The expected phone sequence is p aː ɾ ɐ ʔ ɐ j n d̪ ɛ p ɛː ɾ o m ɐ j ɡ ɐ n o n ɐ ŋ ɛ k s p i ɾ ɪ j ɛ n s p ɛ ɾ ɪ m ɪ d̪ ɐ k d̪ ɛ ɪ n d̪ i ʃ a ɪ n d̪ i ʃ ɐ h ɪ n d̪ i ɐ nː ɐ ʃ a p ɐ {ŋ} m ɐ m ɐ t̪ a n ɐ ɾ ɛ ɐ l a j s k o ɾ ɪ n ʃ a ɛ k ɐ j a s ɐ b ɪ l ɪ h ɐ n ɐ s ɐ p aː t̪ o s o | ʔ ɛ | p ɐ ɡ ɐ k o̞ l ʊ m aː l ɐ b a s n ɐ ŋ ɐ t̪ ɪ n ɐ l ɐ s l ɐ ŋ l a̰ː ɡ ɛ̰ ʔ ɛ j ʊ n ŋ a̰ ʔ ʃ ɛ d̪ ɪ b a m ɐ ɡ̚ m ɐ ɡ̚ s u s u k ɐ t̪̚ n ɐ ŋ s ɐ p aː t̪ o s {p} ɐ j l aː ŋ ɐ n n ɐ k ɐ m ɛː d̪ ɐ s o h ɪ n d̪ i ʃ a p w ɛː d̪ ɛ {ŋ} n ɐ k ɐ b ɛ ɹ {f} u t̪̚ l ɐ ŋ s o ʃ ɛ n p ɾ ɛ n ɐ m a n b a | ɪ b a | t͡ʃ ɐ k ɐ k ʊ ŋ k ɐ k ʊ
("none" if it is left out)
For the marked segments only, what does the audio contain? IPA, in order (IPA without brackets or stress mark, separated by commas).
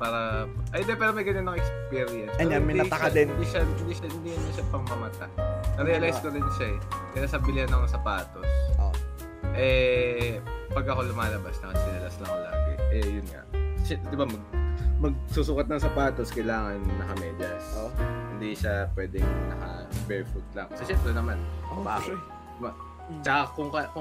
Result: ŋ, k, ŋ, f